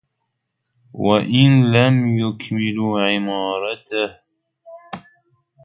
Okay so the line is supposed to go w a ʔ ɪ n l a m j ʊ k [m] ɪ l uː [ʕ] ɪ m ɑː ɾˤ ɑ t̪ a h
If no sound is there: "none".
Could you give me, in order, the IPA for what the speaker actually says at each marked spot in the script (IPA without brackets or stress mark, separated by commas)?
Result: m, ʕ